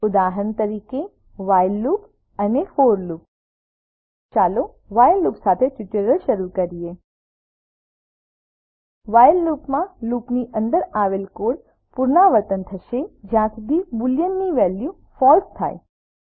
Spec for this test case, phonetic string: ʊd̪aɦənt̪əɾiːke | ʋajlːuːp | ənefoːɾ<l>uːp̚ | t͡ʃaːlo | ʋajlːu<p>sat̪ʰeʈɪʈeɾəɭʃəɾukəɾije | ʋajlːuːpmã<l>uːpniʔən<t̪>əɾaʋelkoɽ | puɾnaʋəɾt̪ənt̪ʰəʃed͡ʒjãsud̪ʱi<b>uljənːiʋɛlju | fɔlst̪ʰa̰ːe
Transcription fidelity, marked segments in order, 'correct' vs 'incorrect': correct, correct, correct, incorrect, correct

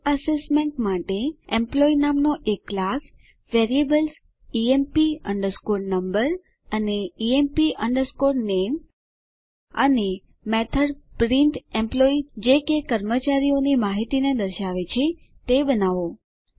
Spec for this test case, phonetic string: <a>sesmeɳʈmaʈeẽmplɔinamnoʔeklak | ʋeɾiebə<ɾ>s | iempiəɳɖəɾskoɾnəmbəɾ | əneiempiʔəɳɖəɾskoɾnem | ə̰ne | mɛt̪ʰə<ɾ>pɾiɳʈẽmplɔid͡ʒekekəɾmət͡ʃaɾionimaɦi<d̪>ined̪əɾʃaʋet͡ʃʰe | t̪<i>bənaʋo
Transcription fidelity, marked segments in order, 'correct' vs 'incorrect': incorrect, incorrect, correct, incorrect, incorrect

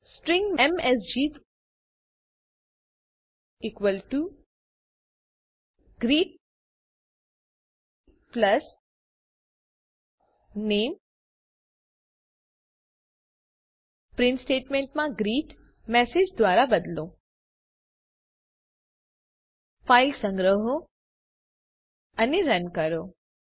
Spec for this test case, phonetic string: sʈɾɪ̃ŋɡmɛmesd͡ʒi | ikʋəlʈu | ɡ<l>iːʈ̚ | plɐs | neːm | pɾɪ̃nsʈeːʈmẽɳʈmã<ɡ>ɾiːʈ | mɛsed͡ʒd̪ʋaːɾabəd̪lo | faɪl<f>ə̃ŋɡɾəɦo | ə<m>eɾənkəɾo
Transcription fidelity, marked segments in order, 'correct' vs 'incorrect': incorrect, correct, incorrect, incorrect

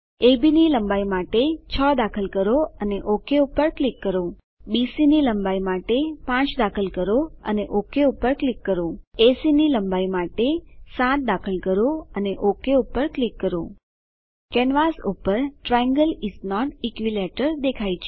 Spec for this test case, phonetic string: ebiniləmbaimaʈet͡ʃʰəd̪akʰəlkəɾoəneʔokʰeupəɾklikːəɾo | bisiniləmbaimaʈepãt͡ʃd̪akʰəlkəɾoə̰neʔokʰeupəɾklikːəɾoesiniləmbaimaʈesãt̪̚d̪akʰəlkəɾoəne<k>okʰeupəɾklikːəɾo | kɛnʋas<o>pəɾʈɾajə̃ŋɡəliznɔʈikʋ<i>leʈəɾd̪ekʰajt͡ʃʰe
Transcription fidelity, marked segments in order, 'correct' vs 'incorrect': incorrect, incorrect, correct

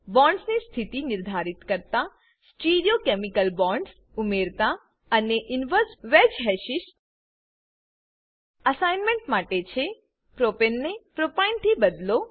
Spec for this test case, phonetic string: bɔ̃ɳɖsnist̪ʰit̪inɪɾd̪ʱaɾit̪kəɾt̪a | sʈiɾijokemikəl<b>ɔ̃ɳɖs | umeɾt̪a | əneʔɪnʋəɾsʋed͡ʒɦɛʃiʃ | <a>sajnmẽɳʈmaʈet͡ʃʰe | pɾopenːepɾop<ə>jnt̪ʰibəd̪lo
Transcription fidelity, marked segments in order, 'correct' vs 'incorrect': correct, incorrect, incorrect

